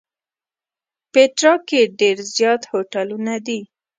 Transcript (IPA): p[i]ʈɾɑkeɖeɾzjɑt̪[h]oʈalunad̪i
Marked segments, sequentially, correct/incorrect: incorrect, correct

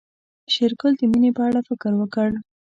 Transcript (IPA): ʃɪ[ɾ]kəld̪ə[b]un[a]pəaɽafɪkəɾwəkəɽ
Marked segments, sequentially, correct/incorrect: correct, incorrect, incorrect

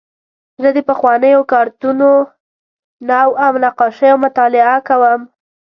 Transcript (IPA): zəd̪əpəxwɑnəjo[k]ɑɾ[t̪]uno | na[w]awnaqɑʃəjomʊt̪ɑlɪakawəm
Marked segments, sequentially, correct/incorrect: correct, correct, correct

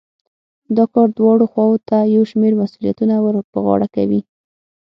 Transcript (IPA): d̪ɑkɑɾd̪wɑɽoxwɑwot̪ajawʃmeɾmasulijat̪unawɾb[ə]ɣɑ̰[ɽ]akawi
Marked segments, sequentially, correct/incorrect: correct, correct

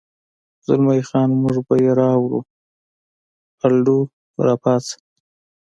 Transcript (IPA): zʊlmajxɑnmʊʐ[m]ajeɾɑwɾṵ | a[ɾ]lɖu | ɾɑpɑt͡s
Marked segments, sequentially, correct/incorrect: incorrect, incorrect

